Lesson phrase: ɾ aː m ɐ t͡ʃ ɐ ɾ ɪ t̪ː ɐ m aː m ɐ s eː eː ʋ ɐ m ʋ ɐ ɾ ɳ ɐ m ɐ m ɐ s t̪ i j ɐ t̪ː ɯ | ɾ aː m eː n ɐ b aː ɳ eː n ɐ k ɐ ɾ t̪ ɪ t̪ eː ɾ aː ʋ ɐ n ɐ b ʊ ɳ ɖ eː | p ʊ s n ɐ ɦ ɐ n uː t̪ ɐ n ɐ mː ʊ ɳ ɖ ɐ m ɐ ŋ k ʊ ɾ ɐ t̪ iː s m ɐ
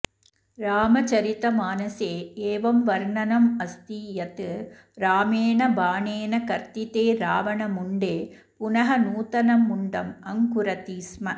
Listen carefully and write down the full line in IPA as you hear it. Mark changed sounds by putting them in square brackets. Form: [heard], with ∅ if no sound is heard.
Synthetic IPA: ɾ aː m ɐ t͡ʃ ɐ ɾ ɪ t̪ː ɐ m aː [n] ɐ s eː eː ʋ ɐ m ʋ ɐ ɾ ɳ ɐ [n] ɐ m ɐ s t̪ i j ɐ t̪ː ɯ | ɾ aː m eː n ɐ b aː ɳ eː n ɐ k ɐ ɾ t̪ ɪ t̪ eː ɾ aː ʋ ɐ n ɐ [m] ʊ ɳ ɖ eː | p ʊ [∅] n ɐ ɦ ɐ n uː t̪ ɐ n ɐ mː ʊ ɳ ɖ ɐ m ɐ ŋ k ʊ ɾ ɐ t̪ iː s m ɐ